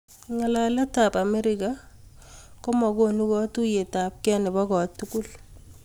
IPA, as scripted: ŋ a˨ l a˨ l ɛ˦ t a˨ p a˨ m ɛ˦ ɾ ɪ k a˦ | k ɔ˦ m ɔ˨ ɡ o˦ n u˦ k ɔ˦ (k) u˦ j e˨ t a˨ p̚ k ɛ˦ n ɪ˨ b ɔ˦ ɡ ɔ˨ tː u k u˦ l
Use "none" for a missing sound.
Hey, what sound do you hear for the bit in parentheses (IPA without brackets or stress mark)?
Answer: t